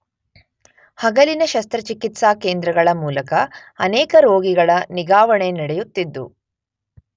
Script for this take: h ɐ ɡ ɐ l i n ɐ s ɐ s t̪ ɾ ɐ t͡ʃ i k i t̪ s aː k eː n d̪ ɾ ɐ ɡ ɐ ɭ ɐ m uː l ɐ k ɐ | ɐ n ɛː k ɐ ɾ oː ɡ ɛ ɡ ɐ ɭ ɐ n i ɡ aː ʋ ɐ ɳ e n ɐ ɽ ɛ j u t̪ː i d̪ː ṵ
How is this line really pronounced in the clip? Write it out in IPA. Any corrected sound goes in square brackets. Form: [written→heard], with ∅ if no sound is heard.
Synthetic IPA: h ɐ ɡ ɐ l i n ɐ [s→ʃ] ɐ s t̪ ɾ ɐ t͡ʃ i k i t̪ s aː k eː n d̪ ɾ ɐ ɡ ɐ ɭ ɐ m uː l ɐ k ɐ | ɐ n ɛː k ɐ ɾ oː ɡ [ɛ→i] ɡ ɐ ɭ ɐ n i ɡ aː ʋ ɐ ɳ e n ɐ ɽ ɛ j u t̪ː i d̪ː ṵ